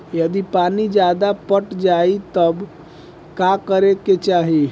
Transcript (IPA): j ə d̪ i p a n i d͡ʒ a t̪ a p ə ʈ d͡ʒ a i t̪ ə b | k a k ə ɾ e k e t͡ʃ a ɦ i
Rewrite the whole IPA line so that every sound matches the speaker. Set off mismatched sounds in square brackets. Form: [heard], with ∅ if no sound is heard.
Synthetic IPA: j ə d̪ i p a n i d͡ʒ a [d̪] a p ə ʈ d͡ʒ a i t̪ ə b | k a k ə ɾ e k e t͡ʃ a ɦ i